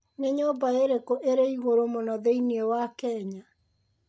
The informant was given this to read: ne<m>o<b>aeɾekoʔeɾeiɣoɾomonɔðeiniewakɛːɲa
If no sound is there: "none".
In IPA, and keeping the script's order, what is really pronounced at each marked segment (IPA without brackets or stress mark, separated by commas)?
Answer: ɲ, b